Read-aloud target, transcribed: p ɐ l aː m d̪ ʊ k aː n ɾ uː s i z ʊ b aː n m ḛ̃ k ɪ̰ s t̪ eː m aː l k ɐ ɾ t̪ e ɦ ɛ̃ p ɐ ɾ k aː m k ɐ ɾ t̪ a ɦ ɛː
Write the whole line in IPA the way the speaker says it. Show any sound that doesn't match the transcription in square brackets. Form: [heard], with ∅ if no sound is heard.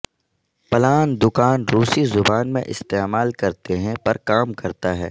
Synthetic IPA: p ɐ l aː [n] d̪ ʊ k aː n ɾ uː s i z ʊ b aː n m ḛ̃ [ʔ] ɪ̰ s t̪ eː m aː l k ɐ ɾ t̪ e ɦ ɛ̃ p ɐ ɾ k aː m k ɐ ɾ t̪ a ɦ ɛː